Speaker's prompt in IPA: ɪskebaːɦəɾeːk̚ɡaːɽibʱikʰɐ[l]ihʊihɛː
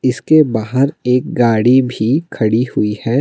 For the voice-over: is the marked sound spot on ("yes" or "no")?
no